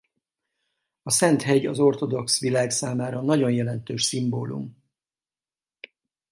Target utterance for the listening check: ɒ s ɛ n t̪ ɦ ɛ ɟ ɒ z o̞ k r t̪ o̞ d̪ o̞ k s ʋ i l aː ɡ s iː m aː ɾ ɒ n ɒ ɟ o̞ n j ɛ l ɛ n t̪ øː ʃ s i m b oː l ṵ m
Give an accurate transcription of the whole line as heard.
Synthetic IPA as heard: ɒ s ɛ n t̪ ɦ ɛ ɟ ɒ z o̞ r t̪ o̞ d̪ o̞ k s ʋ i l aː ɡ s aː m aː ɾ ɒ n ɒ ɟ o̞ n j ɛ l ɛ n t̪ øː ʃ s i m b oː l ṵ m